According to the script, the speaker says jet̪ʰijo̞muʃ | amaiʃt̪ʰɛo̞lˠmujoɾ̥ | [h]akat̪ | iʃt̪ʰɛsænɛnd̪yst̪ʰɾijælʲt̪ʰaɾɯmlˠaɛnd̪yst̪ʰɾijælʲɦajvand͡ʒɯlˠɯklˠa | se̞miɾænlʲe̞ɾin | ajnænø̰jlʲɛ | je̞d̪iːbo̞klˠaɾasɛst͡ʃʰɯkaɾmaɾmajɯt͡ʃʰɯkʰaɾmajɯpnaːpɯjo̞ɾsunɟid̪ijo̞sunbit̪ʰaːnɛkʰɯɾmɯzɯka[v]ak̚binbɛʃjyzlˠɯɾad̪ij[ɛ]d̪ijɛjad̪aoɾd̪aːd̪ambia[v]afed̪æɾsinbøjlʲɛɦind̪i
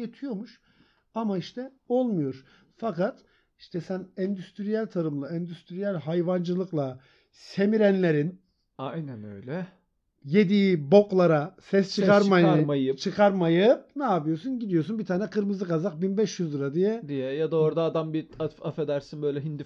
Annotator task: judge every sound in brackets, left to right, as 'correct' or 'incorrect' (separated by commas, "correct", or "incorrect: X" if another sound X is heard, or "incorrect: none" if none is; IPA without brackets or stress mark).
incorrect: f, incorrect: z, correct, incorrect: f